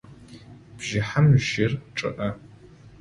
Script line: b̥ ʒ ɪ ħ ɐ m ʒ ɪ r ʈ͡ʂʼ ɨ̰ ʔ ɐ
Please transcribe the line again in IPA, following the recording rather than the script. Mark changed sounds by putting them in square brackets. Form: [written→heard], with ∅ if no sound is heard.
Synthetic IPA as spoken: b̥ ʒ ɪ ħ [ɐ→a] m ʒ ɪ r ʈ͡ʂʼ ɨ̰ ʔ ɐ